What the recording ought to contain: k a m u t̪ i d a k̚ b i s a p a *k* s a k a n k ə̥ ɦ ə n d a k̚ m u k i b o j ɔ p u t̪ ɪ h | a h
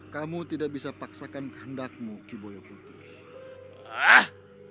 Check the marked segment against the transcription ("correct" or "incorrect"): correct